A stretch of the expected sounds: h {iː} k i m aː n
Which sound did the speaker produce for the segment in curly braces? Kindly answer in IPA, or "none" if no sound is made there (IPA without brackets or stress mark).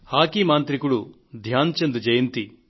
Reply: aː